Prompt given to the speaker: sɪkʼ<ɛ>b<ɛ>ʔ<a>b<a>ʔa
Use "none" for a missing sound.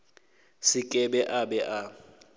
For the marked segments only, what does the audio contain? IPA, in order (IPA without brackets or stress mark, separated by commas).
ɛ, ɛ, a, ɛ